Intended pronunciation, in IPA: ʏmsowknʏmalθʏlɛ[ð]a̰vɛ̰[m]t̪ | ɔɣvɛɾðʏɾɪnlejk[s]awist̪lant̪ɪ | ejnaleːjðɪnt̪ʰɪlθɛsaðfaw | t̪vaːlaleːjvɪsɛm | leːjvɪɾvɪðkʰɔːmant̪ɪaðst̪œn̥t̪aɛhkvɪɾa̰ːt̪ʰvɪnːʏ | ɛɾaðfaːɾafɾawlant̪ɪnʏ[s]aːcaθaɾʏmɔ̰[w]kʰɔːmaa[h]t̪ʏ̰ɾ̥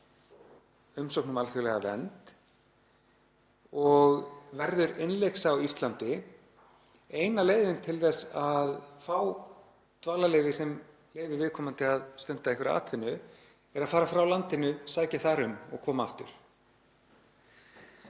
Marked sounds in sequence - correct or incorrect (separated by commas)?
incorrect, incorrect, correct, correct, incorrect, incorrect